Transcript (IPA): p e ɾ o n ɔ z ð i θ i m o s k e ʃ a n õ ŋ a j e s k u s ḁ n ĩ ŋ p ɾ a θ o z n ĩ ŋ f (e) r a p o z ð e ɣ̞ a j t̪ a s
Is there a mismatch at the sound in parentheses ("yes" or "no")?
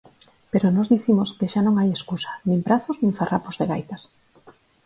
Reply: yes